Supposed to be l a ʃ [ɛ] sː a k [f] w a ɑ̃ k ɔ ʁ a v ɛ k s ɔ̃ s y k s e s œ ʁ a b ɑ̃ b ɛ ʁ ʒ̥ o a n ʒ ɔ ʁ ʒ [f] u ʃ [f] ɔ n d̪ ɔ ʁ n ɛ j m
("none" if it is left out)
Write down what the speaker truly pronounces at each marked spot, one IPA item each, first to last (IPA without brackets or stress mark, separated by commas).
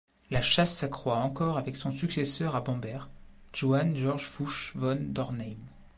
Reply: a, χ, f, v